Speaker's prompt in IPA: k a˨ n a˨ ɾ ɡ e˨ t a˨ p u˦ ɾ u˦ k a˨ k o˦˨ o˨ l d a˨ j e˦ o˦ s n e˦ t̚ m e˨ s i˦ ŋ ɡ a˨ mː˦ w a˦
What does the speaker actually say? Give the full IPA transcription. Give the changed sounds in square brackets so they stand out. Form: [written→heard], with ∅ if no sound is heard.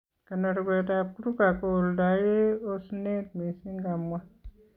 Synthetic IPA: k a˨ n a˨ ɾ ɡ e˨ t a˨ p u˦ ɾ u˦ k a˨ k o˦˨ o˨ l d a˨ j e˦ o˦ s n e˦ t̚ m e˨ s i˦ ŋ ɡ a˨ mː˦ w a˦